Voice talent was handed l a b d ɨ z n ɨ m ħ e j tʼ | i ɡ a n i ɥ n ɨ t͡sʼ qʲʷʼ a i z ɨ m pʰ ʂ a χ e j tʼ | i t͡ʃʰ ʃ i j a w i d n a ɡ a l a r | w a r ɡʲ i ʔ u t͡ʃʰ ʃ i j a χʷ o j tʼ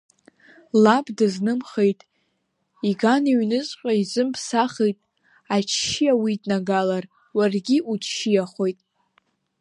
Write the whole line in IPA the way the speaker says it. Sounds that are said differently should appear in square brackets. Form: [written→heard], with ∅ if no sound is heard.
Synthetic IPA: l a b d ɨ z n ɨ m [ħ→χ] e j tʼ | i ɡ a n i ɥ n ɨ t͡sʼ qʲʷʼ a i z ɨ m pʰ [ʂ→s] a χ e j tʼ | [i→a] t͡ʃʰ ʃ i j a w i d n a ɡ a l a r | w a r ɡʲ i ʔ u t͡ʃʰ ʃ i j a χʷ o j tʼ